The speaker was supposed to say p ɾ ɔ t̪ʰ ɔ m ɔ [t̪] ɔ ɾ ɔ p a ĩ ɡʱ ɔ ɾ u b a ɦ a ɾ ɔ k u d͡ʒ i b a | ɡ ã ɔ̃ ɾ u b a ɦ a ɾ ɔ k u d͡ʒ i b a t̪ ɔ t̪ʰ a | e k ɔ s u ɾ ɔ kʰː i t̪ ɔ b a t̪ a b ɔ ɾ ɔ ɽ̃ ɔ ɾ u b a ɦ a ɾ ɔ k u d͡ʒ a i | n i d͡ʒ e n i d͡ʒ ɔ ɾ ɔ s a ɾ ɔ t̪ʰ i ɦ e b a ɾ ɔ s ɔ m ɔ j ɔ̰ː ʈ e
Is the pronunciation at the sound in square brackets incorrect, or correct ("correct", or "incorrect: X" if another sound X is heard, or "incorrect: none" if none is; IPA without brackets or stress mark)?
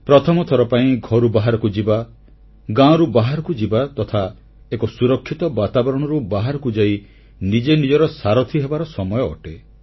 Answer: incorrect: t̪ʰ